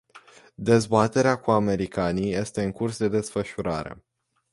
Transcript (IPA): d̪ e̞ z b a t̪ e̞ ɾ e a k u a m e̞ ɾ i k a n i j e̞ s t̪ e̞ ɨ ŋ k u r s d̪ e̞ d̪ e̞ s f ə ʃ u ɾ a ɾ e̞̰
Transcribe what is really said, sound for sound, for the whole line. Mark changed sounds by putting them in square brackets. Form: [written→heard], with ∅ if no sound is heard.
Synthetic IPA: d̪ e̞ z b a t̪ e̞ ɾ e a k u a m e̞ ɾ i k a n i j e̞ s t̪ e̞ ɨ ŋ k u r s d̪ e̞ d̪ e̞ s f ə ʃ u ɾ a ɾ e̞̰